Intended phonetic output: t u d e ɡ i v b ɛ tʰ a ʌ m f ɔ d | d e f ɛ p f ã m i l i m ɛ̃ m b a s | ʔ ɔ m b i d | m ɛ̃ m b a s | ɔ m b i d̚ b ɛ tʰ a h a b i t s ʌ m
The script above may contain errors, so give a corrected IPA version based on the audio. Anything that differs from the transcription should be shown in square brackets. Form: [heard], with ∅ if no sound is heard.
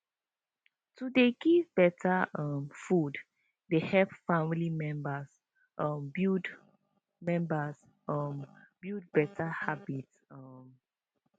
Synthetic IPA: t u d e ɡ i v b ɛ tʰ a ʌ m f [u] d | d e [h] ɛ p f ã m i l i m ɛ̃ m b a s | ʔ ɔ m b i d | m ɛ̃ m b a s | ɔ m b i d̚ b ɛ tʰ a h a b i t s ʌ m